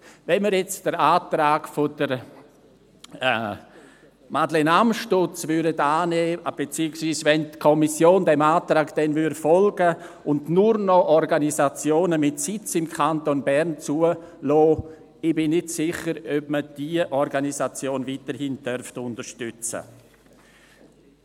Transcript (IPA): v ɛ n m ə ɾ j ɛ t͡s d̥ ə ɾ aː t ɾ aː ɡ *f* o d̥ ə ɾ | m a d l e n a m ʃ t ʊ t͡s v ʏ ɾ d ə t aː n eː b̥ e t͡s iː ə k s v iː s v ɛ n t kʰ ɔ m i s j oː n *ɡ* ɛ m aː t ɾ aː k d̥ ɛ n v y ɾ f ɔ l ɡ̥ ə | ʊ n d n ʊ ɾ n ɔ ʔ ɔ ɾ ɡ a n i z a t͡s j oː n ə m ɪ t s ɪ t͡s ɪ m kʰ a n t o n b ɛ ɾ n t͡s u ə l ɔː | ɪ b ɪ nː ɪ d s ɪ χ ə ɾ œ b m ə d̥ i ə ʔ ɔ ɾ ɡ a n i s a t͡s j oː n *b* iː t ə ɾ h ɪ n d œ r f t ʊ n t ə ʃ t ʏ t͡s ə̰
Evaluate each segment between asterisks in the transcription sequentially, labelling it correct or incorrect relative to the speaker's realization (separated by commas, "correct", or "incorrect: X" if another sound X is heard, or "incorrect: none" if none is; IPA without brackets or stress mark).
correct, incorrect: d, incorrect: v